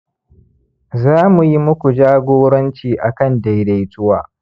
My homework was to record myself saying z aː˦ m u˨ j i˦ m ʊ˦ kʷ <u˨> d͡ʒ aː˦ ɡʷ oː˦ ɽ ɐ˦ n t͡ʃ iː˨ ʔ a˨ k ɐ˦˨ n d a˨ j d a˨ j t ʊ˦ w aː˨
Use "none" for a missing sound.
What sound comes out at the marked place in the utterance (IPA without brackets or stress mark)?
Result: u˨